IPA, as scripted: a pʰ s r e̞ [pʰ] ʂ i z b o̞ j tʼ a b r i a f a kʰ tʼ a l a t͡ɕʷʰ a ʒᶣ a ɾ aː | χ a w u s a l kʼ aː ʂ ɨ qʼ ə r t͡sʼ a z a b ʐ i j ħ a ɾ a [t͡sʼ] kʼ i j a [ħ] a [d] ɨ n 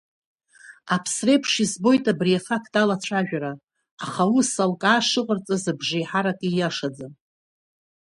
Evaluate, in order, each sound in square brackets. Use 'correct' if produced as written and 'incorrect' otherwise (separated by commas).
correct, incorrect, incorrect, incorrect